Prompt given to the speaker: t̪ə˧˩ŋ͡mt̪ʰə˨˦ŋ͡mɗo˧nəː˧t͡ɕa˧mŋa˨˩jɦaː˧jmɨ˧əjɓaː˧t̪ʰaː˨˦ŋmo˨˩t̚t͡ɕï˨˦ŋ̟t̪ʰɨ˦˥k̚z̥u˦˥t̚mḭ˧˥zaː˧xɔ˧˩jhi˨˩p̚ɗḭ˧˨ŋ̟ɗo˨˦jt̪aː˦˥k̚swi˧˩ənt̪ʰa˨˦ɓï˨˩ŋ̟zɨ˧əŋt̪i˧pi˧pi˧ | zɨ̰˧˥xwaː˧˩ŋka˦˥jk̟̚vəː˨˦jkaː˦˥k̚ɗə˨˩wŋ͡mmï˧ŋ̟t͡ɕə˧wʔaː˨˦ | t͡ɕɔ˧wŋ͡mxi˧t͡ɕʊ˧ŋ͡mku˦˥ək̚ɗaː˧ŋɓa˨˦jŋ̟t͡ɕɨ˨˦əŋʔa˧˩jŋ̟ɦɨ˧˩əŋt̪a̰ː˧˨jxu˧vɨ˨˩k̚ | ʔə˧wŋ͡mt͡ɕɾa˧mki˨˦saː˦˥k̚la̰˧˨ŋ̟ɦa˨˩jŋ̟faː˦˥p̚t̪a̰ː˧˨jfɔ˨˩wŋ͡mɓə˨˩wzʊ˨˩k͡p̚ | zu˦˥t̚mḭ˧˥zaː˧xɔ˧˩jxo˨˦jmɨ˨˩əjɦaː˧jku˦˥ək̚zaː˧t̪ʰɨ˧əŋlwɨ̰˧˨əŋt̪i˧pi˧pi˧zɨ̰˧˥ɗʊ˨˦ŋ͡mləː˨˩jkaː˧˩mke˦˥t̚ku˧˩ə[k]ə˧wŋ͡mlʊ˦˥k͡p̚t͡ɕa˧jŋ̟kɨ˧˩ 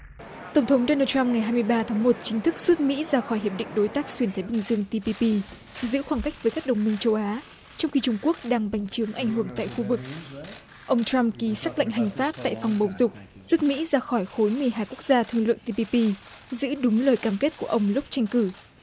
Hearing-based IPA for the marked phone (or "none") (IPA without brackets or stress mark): ʔ